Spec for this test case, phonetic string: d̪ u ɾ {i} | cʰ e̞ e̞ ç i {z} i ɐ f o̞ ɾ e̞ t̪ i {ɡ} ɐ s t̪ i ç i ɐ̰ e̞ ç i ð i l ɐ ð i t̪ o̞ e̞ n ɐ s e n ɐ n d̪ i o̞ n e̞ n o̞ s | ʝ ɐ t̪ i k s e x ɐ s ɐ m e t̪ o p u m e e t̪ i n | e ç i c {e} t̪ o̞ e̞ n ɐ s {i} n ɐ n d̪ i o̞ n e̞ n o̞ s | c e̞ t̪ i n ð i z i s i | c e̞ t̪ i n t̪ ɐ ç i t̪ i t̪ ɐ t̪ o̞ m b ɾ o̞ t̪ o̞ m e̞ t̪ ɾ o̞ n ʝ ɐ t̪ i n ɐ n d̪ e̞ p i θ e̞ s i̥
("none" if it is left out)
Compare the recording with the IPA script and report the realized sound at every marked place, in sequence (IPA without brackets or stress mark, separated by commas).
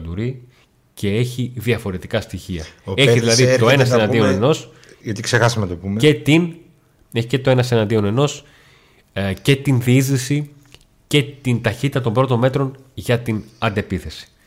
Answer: i, ð, k, e, e